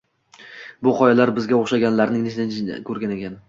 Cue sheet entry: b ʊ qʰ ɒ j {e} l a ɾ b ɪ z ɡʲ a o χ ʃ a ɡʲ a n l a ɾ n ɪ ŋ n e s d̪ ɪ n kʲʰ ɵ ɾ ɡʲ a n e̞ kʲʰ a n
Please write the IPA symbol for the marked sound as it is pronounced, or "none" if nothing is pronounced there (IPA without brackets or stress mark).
a